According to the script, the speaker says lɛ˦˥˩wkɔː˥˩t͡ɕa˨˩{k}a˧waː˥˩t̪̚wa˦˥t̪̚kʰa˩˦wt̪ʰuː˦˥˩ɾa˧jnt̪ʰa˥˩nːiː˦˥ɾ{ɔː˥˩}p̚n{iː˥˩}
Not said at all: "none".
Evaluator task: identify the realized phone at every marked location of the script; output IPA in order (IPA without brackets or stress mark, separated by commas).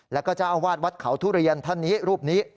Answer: ʔ, uː˥˩, iː˦˥